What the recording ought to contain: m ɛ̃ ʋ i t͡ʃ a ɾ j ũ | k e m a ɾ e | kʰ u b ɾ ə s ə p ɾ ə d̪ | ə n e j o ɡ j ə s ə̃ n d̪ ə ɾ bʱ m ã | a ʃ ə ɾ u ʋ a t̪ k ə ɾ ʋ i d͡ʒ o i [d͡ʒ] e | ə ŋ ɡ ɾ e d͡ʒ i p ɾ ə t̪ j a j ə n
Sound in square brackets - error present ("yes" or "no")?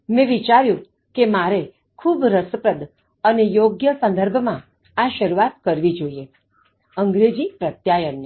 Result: yes